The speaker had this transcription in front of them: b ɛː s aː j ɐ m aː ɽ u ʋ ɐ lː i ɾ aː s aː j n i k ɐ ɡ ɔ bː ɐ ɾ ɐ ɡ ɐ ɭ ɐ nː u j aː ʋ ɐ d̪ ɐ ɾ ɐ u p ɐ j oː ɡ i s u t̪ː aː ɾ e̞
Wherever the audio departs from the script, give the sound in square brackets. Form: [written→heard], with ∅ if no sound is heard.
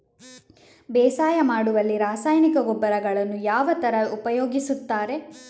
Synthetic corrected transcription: b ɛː s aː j ɐ m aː ɽ u ʋ ɐ lː i ɾ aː s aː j n i k ɐ ɡ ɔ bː ɐ ɾ ɐ ɡ ɐ ɭ ɐ nː u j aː ʋ ɐ [d̪→t̪] ɐ ɾ ɐ u p ɐ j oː ɡ i s u t̪ː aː ɾ e̞